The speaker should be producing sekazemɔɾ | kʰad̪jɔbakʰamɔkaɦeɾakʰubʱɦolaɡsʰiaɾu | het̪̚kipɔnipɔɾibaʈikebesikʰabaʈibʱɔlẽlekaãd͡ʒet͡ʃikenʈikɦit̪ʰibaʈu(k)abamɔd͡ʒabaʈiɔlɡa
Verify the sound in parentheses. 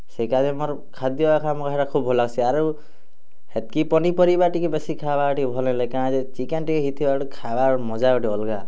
incorrect: kʰ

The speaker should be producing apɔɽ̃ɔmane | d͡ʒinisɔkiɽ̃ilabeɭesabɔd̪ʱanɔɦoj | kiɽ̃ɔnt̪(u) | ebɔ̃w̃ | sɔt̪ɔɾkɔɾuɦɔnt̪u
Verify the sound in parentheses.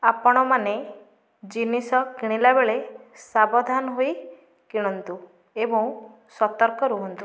correct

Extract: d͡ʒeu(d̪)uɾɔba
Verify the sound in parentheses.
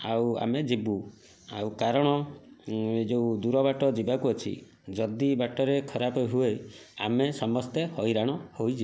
correct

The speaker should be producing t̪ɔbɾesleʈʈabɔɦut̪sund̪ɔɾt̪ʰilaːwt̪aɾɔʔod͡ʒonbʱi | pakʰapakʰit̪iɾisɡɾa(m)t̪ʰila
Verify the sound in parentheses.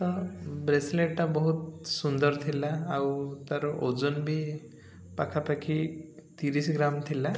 correct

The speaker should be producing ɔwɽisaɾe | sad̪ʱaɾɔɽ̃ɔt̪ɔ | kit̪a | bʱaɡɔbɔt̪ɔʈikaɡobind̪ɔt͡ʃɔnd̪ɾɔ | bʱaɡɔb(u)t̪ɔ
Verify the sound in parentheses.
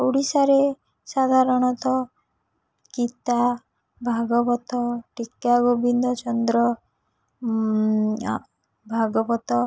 incorrect: ɔ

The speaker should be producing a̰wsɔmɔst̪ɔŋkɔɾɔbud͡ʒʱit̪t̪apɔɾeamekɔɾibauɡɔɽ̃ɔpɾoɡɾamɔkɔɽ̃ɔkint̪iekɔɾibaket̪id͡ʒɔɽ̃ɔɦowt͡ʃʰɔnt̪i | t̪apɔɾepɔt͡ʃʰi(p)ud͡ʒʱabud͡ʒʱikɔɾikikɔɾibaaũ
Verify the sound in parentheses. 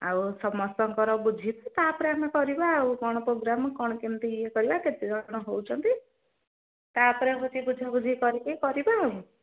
incorrect: b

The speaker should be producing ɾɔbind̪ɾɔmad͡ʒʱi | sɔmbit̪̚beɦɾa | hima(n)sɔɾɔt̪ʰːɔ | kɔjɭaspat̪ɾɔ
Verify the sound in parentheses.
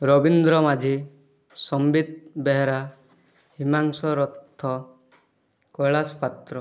incorrect: ŋ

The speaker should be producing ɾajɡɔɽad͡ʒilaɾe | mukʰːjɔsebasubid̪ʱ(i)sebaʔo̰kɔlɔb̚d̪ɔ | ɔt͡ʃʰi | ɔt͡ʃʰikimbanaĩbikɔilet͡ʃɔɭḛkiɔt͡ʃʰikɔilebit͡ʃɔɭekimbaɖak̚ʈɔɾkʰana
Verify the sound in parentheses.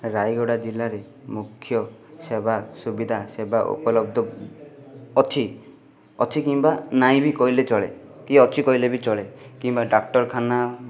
incorrect: a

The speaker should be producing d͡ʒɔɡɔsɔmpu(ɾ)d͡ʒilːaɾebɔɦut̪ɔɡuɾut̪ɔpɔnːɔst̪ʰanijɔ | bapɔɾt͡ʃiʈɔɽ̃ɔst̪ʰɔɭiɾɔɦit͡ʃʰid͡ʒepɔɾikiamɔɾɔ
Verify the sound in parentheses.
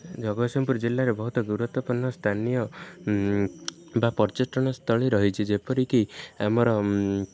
correct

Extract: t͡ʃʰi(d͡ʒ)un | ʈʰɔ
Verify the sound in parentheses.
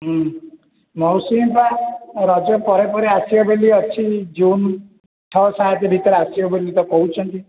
correct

